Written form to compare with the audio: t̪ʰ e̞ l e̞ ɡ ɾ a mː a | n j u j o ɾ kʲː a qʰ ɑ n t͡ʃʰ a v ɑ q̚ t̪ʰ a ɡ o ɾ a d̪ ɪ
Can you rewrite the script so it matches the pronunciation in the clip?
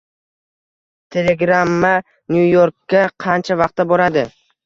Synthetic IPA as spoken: t̪ʰ e̞ l e̞ ɡ ɾ a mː a | n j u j o ɾ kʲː a qʰ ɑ n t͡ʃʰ a v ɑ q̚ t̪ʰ a b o ɾ a d̪ ɪ